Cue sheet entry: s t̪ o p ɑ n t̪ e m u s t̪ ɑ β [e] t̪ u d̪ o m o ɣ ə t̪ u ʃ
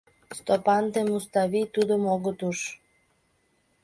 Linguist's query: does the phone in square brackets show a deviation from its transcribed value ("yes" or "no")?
yes